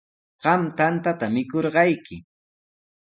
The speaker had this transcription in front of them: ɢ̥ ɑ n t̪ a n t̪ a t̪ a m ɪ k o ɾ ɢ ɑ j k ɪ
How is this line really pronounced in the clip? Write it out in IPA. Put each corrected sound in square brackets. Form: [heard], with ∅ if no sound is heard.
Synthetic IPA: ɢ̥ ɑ [m] t̪ a n t̪ a t̪ a m ɪ k o ɾ ɢ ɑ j k ɪ